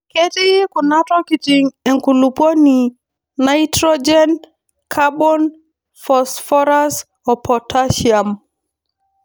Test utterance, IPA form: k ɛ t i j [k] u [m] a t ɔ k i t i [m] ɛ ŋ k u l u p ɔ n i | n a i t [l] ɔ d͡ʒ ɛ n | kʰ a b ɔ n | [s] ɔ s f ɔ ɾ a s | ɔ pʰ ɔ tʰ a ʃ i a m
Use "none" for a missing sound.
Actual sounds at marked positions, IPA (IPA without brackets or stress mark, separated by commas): k, n, ŋ, ɾ, f